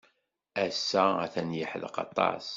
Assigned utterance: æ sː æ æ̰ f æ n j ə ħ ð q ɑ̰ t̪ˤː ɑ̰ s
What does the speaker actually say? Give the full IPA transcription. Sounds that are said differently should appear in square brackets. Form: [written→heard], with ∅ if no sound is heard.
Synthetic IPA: æ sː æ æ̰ [f→θ] æ n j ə ħ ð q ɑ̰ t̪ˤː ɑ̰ s

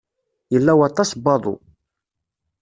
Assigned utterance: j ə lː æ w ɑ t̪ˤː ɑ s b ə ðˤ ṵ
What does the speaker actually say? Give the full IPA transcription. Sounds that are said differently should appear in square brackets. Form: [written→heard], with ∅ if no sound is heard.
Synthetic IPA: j ə lː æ w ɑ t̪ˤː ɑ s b [ə→ɑ] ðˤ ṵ

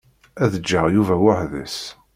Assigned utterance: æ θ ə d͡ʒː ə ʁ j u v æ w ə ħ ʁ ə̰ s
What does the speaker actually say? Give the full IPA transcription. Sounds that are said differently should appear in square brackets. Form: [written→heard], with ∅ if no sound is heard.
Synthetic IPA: æ [θ→ð] ə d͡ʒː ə ʁ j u v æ w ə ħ [ʁ→ð] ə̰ s

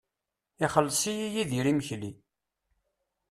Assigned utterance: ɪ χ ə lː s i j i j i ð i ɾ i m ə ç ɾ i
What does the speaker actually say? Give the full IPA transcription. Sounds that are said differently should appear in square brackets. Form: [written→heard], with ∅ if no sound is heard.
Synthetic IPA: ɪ χ ə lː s i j i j i ð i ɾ i m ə ç [ɾ→l] i

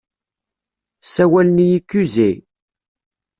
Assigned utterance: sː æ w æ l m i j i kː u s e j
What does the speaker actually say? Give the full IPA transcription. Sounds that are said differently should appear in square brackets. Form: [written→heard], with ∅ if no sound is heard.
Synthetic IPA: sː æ w æ l [m→n] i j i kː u [s→z] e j

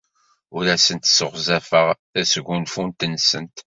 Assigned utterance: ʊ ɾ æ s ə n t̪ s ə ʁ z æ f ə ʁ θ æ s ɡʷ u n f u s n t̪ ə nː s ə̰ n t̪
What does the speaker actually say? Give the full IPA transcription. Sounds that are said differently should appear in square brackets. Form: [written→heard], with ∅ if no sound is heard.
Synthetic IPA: ʊ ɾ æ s ə n t̪ s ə ʁ z æ f ə ʁ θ æ s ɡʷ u n f u [s→∅] n t̪ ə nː s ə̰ n t̪

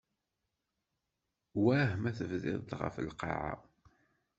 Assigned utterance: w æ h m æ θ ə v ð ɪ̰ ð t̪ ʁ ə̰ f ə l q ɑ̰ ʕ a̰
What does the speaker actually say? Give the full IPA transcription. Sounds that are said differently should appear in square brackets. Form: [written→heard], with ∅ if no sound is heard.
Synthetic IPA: w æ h m æ θ ə v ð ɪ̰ ð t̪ ʁ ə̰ f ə l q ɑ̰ ʕ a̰

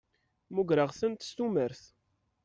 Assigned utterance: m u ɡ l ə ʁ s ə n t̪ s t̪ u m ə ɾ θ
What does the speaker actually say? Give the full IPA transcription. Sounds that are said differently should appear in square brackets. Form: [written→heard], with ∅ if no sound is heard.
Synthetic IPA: m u ɡ [l→ɾ] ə ʁ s ə n t̪ s t̪ u m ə ɾ θ

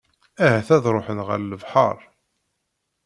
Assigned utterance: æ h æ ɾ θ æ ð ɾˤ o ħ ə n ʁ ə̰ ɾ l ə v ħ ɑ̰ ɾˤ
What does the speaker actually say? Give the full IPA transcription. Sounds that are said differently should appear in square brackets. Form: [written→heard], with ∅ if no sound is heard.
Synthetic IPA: æ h æ [ɾ→∅] θ æ ð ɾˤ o ħ ə n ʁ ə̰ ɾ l ə v ħ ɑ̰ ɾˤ

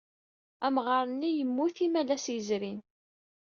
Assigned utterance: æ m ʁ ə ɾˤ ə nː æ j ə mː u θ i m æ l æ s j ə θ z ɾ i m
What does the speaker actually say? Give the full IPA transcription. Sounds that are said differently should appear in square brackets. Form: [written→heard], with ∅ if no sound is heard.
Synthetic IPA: æ m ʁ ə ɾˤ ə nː [æ→i] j ə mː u θ i m æ l æ s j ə [θ→∅] z ɾ i [m→n]

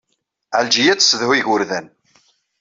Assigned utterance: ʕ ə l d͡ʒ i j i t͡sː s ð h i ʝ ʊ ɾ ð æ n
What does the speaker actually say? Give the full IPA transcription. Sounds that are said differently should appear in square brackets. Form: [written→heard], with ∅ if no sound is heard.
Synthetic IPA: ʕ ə l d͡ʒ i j [i→æ] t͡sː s ð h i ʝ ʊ ɾ ð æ n

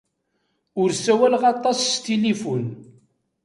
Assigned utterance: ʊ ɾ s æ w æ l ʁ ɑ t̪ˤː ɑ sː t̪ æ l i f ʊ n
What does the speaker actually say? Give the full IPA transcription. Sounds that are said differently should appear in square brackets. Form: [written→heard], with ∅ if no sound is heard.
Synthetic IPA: ʊ ɾ s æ w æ l ʁ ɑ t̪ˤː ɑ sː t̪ [æ→i] l i f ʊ n

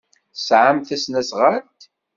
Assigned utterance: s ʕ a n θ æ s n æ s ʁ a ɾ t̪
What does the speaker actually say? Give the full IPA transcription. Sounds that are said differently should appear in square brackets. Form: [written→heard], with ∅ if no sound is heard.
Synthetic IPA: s ʕ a [n→m] θ æ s n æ s ʁ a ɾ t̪

